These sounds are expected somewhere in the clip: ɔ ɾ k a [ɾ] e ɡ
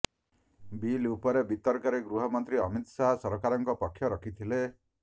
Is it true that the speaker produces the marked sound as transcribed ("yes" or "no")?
yes